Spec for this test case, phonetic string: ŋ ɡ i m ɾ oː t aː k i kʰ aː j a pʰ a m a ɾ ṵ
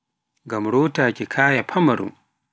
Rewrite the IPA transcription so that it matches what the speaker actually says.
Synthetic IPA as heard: ŋ ɡ a m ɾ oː t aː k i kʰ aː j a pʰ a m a ɾ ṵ